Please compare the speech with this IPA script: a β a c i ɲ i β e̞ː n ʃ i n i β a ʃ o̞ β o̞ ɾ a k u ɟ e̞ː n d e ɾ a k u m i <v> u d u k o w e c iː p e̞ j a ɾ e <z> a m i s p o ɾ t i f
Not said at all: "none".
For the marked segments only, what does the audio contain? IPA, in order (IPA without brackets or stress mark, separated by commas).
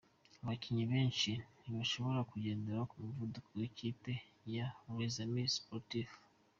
v, z